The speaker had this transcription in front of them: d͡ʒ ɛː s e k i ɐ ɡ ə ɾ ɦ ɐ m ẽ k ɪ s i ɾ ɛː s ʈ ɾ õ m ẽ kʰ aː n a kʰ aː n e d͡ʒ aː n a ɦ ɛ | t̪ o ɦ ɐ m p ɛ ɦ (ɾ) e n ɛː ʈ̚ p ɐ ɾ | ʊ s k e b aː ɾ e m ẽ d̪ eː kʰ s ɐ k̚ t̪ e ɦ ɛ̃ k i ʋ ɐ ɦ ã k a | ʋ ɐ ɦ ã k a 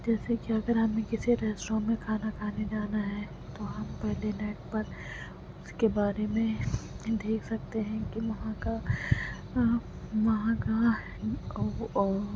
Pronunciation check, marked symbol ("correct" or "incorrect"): incorrect